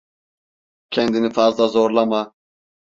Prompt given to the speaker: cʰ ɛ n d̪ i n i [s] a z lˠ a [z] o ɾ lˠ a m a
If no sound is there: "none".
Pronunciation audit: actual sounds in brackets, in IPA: f, z

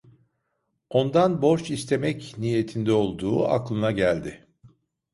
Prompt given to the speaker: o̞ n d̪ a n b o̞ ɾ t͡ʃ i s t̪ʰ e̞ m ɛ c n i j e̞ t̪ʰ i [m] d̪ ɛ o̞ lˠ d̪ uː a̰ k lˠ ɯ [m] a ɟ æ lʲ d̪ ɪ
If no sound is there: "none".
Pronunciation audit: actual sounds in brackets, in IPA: n, n

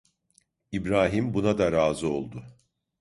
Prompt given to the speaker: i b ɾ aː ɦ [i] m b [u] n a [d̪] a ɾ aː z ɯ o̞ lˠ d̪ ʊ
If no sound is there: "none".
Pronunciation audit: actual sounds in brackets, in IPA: i, u, d̪

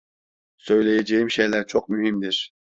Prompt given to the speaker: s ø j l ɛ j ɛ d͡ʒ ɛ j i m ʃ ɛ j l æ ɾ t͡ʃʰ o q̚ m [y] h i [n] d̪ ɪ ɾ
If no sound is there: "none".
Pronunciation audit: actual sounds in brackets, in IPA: y, m

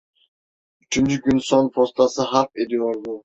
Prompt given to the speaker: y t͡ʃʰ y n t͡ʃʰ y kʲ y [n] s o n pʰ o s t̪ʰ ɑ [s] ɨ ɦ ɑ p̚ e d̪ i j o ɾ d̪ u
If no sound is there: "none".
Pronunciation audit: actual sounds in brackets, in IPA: n, s

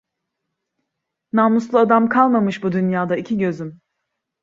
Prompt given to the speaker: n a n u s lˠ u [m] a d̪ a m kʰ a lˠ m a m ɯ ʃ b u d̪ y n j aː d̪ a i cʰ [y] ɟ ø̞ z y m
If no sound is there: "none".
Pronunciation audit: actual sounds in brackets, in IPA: none, i

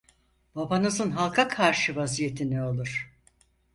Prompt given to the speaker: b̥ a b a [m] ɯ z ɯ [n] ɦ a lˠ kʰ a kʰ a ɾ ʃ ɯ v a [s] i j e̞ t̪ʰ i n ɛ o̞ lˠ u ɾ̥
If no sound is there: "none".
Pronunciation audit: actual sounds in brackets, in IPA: n, n, z

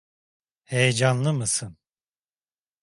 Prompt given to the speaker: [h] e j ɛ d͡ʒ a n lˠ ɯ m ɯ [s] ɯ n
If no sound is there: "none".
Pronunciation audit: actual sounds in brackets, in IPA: h, s

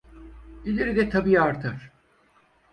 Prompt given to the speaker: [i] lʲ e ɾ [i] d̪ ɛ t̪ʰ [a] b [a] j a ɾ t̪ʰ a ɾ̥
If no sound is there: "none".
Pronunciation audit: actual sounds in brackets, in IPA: i, i, a, i

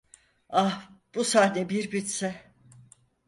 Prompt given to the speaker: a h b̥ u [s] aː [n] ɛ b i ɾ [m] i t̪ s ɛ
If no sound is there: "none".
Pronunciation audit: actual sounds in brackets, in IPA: s, n, b

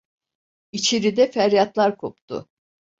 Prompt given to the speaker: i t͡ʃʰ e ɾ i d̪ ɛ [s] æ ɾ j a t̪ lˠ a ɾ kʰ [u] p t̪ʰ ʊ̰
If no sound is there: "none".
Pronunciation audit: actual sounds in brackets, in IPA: f, o

